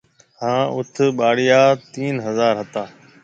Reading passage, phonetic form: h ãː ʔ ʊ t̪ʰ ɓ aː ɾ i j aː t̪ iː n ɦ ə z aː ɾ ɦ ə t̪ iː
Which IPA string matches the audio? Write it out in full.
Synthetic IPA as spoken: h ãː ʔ ʊ t̪ʰ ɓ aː ɽ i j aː t̪ iː n ɦ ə z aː ɾ ɦ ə t̪ aː